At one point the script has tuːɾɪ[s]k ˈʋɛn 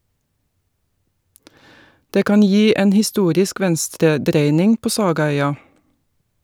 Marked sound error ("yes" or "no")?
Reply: no